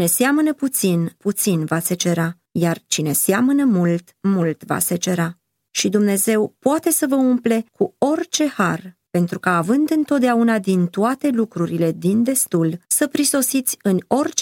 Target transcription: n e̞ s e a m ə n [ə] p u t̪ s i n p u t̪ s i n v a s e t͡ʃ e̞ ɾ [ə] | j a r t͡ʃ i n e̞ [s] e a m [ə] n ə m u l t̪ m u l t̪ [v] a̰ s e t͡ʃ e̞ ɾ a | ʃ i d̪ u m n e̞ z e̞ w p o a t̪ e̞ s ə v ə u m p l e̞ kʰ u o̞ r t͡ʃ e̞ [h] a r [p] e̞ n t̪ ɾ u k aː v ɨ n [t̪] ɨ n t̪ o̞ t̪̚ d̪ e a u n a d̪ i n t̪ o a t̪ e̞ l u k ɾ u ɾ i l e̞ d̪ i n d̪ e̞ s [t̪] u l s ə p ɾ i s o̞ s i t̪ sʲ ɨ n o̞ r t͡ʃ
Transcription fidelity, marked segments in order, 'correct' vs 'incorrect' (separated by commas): correct, incorrect, correct, correct, correct, correct, correct, incorrect, correct